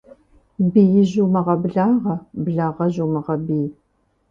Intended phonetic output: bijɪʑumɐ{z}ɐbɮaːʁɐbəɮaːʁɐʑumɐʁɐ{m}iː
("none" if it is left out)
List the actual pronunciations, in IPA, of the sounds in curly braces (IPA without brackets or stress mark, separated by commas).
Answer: ʁ, b